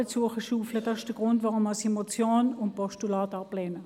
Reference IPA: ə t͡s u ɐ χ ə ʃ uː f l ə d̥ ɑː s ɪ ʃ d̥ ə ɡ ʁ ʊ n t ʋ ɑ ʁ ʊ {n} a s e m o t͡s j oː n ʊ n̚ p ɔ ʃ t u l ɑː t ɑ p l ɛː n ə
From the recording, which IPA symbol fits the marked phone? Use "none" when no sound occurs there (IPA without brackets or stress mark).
m